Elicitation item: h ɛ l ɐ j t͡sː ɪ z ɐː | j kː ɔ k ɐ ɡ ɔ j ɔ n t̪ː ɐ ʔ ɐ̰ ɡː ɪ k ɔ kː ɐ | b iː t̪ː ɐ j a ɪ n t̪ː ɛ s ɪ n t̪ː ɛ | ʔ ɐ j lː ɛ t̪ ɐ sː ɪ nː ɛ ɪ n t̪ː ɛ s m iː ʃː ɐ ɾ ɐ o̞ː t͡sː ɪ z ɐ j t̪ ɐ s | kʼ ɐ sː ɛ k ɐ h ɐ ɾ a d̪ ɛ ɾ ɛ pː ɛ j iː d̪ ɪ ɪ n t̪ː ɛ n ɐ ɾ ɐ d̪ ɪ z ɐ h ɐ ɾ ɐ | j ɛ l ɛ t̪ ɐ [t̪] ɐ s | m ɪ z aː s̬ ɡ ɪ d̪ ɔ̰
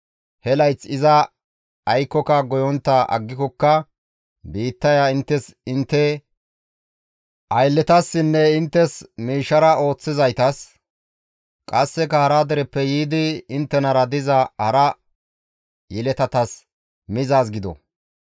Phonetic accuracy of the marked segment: correct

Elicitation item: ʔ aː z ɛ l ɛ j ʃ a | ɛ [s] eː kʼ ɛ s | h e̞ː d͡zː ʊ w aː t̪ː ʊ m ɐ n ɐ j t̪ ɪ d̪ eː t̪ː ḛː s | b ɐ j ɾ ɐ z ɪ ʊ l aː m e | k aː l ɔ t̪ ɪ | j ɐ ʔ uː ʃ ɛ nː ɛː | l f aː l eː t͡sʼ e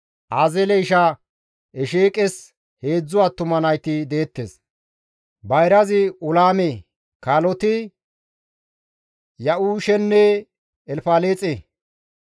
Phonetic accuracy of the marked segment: incorrect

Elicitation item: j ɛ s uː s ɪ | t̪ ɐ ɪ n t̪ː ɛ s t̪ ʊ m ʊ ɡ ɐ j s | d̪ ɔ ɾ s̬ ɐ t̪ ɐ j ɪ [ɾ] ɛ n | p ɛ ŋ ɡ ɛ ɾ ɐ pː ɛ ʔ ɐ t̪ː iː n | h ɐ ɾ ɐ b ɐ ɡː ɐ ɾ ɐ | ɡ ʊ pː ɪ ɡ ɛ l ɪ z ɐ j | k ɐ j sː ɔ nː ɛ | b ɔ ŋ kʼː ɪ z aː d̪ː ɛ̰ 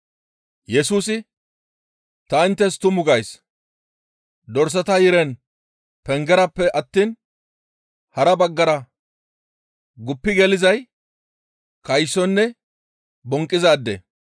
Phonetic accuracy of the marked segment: correct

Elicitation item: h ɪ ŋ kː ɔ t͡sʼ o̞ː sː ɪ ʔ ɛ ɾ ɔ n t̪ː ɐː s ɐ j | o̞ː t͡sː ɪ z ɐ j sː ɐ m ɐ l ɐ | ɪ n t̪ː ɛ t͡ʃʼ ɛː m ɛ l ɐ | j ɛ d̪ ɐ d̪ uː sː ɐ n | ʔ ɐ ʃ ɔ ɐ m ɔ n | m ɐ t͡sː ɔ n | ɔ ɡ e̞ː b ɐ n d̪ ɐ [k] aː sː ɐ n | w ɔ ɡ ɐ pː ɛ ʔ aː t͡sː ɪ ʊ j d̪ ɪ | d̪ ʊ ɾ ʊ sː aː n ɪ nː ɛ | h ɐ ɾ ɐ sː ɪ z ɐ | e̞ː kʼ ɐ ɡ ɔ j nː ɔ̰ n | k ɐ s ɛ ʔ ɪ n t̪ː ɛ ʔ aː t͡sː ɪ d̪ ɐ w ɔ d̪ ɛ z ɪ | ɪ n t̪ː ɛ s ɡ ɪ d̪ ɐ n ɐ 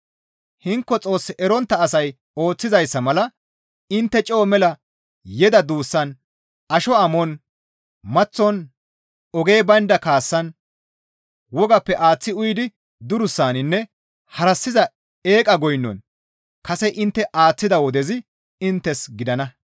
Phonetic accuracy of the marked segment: correct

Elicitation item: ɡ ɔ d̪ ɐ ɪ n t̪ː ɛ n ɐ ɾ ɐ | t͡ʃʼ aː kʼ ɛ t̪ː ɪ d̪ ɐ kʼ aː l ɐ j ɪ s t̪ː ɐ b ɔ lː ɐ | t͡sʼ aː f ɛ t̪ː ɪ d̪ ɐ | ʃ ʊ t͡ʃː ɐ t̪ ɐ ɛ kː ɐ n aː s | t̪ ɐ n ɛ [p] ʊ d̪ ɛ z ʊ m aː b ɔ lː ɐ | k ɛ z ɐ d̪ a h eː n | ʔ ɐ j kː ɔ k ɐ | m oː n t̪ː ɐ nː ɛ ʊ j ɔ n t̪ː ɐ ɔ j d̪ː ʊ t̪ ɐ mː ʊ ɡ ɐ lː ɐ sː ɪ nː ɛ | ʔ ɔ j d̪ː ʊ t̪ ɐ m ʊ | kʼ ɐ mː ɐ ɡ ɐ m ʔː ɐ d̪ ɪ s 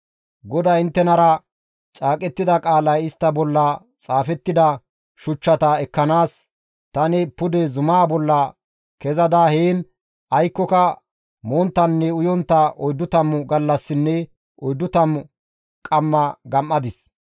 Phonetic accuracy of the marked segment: correct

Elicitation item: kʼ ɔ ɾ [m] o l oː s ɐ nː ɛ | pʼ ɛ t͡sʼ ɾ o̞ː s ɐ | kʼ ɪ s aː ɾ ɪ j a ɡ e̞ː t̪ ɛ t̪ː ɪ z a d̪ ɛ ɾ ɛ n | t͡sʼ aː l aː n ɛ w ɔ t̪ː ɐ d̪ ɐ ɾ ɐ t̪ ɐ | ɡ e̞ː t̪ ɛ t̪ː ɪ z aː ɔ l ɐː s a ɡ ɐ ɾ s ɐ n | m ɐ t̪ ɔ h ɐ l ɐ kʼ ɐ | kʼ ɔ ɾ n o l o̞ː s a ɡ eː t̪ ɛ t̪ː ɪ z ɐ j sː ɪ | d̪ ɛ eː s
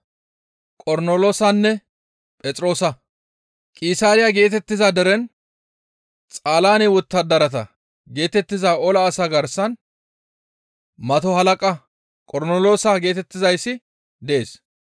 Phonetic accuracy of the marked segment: incorrect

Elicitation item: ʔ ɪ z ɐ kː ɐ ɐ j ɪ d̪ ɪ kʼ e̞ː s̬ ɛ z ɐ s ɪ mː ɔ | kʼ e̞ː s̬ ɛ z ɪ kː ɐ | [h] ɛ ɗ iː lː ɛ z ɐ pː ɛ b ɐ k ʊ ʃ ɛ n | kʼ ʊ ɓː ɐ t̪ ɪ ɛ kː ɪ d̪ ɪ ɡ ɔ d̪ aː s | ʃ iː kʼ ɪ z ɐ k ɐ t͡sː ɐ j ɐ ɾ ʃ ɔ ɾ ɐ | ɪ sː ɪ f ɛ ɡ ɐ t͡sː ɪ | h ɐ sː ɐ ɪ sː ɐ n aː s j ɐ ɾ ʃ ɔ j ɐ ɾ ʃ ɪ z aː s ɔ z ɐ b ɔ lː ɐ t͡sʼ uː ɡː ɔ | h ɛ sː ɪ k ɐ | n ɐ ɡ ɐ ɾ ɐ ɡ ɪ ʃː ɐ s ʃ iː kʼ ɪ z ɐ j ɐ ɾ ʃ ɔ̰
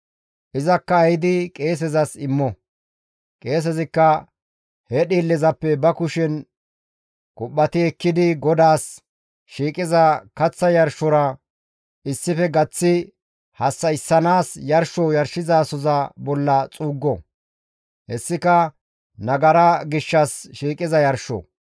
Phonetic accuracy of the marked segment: correct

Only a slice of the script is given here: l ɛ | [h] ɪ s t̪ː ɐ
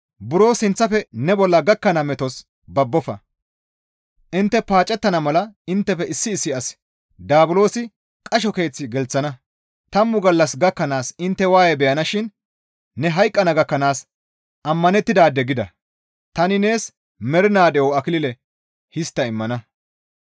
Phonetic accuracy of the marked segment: correct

